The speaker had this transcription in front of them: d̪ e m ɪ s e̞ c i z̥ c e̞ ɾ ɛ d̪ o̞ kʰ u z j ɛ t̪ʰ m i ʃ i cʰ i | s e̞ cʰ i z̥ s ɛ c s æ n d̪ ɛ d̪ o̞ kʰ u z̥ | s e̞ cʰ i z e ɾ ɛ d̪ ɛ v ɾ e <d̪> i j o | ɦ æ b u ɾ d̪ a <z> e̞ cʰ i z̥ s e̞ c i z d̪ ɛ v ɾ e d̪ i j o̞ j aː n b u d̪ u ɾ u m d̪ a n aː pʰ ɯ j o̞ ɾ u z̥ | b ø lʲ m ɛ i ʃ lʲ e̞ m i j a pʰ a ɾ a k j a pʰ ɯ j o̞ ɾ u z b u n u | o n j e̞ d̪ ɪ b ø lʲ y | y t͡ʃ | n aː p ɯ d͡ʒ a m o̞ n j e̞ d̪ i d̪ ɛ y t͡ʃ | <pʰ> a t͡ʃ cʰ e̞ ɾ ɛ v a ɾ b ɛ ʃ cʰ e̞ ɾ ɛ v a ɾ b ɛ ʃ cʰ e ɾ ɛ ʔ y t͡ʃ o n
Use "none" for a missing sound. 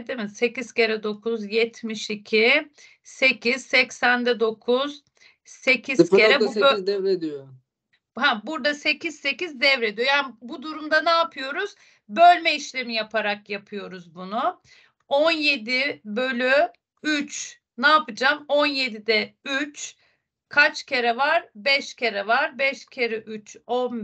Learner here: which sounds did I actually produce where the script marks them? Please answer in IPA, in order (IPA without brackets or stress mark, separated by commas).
d̪, s, kʰ